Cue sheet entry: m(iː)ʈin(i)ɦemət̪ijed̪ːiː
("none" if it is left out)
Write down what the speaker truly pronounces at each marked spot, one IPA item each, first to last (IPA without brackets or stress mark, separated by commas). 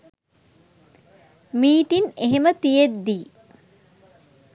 iː, e